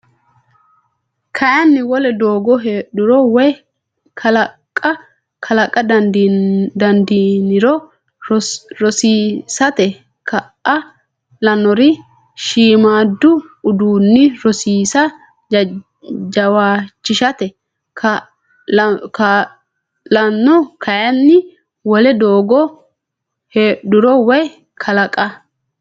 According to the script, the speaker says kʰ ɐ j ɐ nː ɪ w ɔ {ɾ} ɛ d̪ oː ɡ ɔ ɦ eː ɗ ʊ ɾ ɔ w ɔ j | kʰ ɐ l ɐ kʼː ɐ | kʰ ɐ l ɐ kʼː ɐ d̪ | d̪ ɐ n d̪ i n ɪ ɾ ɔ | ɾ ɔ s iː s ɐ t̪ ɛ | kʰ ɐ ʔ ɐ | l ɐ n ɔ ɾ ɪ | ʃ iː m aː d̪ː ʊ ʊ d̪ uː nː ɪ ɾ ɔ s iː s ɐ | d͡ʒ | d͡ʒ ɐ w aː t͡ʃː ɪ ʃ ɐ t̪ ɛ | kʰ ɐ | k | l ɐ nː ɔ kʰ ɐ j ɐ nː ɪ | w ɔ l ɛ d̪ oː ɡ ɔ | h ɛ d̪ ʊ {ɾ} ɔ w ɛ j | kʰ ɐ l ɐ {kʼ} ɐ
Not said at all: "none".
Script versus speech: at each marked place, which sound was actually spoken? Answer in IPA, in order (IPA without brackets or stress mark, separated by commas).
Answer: l, ɾ, kʼ